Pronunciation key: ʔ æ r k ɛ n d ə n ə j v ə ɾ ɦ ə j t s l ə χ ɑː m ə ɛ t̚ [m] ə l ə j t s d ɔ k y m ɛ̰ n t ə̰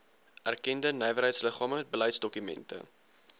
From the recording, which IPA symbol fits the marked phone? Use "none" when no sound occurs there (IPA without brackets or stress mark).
b